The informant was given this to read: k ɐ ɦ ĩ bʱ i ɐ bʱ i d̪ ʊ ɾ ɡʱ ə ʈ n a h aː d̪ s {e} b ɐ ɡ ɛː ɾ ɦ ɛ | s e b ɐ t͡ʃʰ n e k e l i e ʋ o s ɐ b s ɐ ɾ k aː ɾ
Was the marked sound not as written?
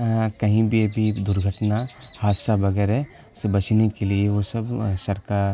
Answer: yes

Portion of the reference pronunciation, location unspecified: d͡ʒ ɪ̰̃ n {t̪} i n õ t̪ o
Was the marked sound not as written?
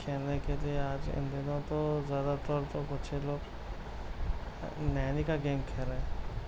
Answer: yes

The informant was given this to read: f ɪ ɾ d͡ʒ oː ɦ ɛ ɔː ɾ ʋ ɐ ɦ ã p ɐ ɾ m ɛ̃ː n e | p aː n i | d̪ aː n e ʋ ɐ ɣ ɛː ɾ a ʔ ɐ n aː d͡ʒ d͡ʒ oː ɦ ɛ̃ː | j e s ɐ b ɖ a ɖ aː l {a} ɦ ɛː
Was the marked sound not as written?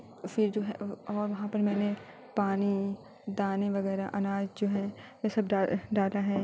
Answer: no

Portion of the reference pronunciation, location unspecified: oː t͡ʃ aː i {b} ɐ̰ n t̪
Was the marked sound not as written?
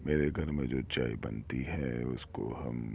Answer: no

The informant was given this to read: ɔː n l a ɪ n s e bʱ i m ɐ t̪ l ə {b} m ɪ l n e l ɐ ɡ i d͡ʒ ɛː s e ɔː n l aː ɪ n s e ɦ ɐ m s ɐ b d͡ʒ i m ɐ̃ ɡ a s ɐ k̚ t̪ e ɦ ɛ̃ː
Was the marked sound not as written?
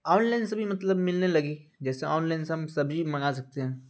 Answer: no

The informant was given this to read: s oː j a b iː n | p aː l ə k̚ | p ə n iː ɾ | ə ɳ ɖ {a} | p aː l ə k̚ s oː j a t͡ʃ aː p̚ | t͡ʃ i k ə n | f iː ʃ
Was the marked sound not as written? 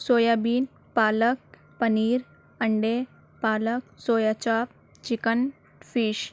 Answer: yes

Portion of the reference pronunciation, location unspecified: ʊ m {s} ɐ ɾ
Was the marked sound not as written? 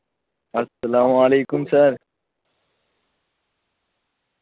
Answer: no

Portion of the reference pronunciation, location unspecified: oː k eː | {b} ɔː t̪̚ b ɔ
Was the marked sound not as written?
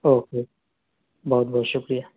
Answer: no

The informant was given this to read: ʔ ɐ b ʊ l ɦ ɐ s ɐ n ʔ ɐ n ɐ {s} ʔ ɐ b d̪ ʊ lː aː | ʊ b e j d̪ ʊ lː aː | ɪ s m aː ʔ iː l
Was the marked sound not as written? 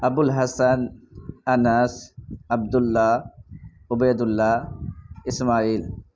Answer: no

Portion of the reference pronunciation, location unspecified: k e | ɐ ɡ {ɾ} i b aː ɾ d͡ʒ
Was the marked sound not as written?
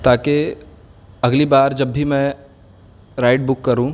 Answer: yes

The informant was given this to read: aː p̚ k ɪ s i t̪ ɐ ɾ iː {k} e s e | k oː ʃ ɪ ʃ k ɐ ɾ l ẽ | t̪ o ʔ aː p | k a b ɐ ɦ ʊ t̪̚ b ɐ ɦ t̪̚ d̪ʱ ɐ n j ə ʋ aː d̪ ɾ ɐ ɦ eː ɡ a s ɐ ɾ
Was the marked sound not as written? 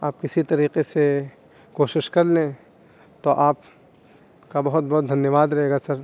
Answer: yes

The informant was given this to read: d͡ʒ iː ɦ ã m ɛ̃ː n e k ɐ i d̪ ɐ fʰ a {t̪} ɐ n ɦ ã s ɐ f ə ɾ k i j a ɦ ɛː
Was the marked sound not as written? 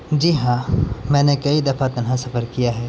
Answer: no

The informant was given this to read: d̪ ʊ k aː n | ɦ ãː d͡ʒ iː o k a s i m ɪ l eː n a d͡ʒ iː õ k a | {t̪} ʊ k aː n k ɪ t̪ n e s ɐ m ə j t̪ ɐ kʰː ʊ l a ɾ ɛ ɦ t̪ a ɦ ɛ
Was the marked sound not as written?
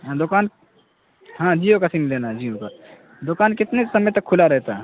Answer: yes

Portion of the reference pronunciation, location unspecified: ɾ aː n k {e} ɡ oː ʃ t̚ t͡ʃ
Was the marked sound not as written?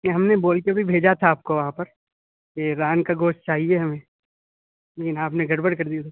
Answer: yes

